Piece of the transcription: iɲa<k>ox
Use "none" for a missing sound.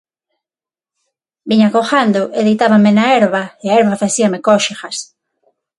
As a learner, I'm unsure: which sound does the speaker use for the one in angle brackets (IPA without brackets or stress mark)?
k